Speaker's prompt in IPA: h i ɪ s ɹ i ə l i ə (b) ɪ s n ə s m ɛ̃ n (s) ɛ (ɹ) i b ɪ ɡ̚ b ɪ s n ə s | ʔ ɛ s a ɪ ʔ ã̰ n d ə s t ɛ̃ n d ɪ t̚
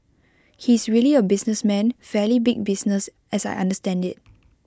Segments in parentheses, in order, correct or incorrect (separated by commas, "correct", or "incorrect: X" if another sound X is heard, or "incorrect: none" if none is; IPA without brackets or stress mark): correct, incorrect: f, incorrect: l